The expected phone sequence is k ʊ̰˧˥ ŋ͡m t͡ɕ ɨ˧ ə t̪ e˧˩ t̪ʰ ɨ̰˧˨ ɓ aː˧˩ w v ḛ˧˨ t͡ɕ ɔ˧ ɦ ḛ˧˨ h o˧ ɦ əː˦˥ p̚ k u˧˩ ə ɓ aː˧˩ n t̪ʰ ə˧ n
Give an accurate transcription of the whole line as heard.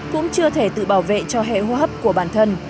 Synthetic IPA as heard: k ʊ̰˧˥ ŋ͡m t͡ɕ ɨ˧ ə t̪ʰ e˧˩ t̪ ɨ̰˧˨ ɓ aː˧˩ w v ḛ˧˨ t͡ɕ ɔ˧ ɦ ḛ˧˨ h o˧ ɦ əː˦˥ p̚ k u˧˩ ə ɓ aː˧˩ n t̪ʰ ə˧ n